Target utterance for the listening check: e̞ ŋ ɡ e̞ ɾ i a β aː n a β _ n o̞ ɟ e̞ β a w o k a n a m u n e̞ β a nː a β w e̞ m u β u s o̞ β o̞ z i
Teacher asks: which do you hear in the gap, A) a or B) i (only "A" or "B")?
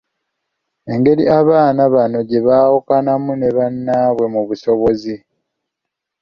A